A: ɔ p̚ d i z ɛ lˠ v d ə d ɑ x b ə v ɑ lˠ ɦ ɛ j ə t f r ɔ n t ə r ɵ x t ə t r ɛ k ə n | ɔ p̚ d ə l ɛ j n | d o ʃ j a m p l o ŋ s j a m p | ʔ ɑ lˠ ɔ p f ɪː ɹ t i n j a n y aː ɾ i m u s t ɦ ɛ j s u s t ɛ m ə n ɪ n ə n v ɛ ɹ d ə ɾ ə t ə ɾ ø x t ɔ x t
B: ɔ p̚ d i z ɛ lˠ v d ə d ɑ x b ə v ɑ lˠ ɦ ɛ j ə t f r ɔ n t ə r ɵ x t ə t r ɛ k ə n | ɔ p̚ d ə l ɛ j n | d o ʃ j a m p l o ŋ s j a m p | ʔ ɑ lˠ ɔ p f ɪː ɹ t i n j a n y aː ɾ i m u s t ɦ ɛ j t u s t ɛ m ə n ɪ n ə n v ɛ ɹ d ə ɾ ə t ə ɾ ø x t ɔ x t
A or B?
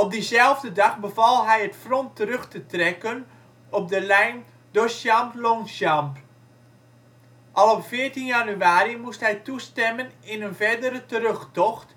B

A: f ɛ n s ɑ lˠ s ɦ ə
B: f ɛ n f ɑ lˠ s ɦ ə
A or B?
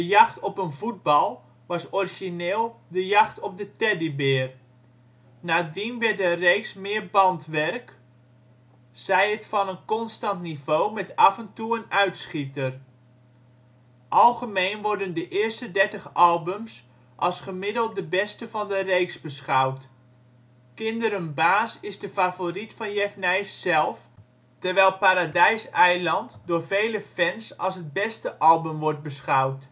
A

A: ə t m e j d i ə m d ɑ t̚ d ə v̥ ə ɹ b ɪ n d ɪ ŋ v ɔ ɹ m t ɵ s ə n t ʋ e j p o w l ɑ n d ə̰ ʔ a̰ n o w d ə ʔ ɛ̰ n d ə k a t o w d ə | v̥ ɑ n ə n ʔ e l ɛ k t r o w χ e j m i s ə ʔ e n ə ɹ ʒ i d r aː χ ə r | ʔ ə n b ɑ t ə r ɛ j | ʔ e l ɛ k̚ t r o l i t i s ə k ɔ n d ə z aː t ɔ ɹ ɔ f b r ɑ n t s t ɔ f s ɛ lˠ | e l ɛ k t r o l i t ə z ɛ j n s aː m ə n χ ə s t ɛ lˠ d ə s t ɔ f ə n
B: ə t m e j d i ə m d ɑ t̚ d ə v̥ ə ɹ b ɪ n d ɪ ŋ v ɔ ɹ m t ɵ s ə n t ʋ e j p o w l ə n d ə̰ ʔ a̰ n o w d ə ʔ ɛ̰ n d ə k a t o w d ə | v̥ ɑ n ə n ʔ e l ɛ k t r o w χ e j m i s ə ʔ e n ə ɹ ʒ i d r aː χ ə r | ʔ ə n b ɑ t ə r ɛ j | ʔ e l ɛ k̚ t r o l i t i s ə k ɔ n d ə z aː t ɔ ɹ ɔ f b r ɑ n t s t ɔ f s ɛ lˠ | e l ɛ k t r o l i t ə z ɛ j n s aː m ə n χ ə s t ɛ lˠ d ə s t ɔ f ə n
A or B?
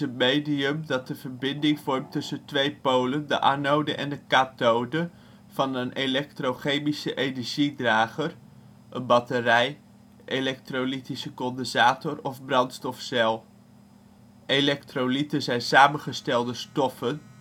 B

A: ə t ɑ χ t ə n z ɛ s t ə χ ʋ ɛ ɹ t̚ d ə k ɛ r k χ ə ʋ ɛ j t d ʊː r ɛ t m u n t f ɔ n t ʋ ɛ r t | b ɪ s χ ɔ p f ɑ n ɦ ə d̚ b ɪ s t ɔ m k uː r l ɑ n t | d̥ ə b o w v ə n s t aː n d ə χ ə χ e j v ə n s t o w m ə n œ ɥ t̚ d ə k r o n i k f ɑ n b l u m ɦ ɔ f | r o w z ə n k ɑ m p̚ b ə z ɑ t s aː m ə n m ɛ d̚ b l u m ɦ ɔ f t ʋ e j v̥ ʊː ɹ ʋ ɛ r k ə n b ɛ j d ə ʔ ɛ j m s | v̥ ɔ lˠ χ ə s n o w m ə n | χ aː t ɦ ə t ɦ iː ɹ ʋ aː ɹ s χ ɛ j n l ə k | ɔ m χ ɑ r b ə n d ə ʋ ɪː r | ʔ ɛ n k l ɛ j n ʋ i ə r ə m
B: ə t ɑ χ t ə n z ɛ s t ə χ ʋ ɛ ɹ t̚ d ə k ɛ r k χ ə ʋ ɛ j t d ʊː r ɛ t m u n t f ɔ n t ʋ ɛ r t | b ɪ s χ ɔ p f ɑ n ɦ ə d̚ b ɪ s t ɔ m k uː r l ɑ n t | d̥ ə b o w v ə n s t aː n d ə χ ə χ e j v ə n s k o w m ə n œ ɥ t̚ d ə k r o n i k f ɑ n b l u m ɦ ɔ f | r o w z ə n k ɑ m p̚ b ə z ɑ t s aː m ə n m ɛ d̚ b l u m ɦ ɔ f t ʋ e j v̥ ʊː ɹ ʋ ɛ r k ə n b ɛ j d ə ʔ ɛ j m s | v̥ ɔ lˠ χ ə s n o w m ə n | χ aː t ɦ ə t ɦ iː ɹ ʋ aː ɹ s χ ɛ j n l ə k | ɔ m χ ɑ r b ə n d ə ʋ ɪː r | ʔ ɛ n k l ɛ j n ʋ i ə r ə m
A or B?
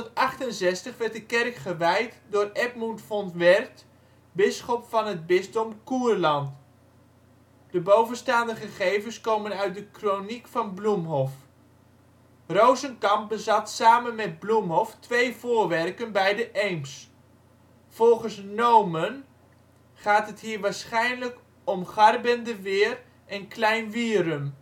B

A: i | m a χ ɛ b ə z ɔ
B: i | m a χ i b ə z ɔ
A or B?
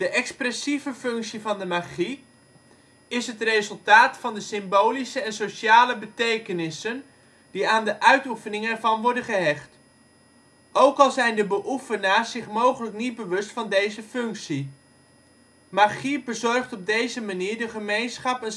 B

